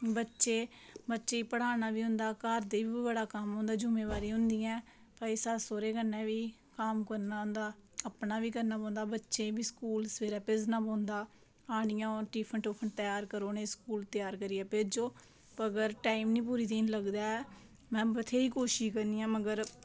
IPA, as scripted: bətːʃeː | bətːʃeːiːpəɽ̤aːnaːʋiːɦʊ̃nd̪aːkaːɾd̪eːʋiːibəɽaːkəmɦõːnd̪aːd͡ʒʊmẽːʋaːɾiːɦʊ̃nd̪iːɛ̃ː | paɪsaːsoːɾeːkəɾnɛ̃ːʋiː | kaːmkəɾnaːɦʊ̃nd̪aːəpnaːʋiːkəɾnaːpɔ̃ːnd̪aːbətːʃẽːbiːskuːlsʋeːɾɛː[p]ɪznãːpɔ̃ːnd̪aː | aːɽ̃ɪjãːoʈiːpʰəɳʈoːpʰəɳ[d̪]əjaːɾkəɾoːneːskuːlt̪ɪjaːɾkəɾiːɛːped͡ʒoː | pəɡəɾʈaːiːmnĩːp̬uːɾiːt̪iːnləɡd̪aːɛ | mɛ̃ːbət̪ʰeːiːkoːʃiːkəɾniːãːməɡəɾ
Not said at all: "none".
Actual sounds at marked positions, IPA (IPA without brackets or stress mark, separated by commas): p, t̪